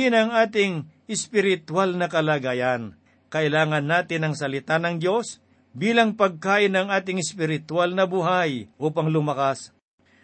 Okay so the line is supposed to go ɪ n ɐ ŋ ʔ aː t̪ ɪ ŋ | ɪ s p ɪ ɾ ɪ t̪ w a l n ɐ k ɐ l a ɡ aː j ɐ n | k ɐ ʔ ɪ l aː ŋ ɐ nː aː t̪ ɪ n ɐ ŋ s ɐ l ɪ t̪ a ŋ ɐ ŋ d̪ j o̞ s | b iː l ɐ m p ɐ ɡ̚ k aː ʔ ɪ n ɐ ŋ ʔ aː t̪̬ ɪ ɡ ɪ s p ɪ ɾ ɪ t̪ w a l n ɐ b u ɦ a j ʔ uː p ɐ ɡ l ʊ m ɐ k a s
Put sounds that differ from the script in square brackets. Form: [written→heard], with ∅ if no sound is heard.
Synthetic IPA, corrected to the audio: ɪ n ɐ ŋ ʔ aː t̪ ɪ ŋ | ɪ s p ɪ ɾ ɪ t̪ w a l n ɐ k ɐ l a ɡ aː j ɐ n | k ɐ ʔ ɪ l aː ŋ ɐ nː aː t̪ ɪ n ɐ ŋ s ɐ l ɪ t̪ a [ŋ→n] ɐ ŋ d̪ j o̞ s | b iː l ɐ [m→ŋ] p ɐ ɡ̚ k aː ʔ ɪ n ɐ ŋ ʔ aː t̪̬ ɪ [ɡ→ŋ] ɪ s p ɪ ɾ ɪ t̪ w a l n ɐ b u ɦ a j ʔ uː p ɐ [ɡ→ŋ] l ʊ m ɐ k a s